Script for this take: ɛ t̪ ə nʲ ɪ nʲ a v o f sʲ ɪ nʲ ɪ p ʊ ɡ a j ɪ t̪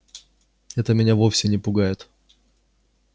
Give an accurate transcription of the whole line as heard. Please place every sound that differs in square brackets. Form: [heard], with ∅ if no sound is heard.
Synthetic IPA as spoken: ɛ t̪ ə [mʲ] ɪ nʲ a v o f sʲ ɪ nʲ ɪ p ʊ ɡ a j ɪ t̪